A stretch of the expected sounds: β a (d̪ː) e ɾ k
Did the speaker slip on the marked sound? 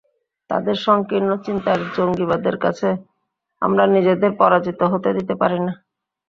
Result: yes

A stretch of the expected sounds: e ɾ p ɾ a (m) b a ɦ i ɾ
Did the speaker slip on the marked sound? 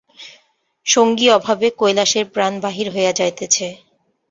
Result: yes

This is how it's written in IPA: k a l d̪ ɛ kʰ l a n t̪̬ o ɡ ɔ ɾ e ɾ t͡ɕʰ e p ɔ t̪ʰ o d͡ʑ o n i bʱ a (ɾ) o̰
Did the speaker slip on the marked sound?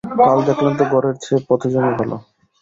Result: yes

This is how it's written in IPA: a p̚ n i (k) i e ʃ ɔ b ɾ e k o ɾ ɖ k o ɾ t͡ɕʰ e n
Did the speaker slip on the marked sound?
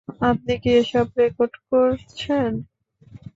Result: no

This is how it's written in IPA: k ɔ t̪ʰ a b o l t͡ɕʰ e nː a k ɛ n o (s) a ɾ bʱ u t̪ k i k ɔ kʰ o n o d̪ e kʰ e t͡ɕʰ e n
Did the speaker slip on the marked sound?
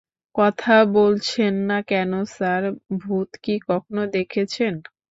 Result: no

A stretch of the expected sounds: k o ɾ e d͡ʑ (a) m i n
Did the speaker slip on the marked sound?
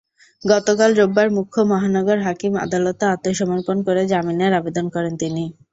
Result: no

